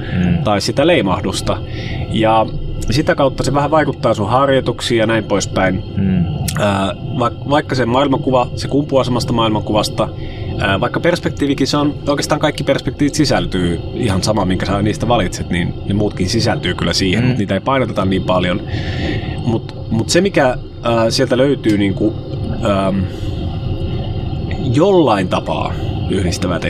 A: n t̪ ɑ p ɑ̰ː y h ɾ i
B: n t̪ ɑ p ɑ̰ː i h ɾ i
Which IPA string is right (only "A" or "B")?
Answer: A